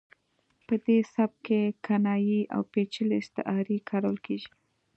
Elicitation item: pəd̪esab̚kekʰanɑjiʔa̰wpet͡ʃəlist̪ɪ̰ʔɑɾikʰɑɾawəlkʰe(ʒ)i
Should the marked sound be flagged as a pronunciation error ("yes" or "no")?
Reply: no